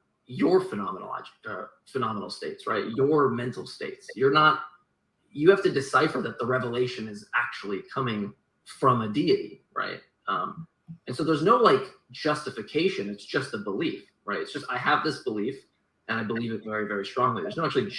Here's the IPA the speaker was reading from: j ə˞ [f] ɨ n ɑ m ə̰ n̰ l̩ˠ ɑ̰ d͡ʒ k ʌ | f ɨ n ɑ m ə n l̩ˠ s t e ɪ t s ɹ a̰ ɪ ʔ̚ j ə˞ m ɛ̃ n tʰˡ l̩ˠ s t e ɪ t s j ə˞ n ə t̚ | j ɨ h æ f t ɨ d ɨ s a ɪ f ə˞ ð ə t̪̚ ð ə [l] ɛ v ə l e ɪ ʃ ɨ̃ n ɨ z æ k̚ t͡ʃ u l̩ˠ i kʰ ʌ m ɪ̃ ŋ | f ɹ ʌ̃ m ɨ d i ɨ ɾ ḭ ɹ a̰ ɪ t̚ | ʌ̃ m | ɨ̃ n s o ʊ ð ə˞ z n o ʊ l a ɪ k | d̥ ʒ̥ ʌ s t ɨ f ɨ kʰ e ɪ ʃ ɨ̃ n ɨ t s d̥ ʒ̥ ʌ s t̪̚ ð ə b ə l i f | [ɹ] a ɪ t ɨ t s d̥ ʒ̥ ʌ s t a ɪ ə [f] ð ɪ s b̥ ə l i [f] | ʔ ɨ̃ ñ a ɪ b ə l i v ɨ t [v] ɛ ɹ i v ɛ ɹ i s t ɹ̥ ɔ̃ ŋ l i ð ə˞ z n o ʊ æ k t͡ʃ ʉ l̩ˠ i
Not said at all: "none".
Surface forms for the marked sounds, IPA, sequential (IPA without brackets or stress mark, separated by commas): f, ɹ, ɹ, v, f, v